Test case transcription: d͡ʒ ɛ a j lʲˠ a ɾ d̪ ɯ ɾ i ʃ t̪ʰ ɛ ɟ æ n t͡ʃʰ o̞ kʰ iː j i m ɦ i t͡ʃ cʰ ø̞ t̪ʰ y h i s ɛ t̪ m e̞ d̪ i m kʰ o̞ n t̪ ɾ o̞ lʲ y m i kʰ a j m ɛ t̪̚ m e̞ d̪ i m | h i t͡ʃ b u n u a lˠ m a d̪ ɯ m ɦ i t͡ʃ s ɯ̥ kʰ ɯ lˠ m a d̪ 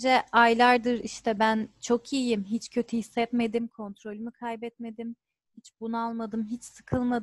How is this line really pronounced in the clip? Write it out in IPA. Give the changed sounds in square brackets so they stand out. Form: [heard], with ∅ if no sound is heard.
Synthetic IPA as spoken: d͡ʒ ɛ a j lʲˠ a ɾ d̪ ɯ ɾ i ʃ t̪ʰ ɛ [b] æ n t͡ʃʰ o̞ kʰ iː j i m ɦ i t͡ʃ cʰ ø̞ t̪ʰ y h i [sː] ɛ t̪ m e̞ d̪ i m kʰ o̞ n t̪ ɾ o̞ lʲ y m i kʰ a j [b] ɛ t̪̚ m e̞ d̪ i m | h i t͡ʃ b u n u a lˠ m a d̪ ɯ m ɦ i t͡ʃ s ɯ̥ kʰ ɯ lˠ m a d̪